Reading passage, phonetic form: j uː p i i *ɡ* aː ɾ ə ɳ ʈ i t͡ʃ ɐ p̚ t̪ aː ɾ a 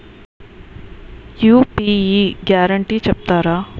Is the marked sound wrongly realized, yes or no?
no